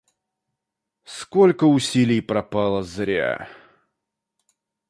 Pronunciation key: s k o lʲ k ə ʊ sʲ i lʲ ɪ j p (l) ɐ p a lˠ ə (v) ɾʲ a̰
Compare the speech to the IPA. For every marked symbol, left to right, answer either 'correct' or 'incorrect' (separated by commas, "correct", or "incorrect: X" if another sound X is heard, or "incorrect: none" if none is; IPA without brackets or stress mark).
incorrect: ɾ, incorrect: z